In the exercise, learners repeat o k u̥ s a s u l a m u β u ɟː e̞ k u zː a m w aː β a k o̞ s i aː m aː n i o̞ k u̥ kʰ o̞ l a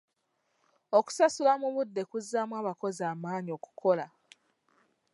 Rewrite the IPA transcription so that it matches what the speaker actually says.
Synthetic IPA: o k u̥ s a s u l a m u β u dː e̞ k u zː a m w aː β a k o̞ z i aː m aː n i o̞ k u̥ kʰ o̞ l a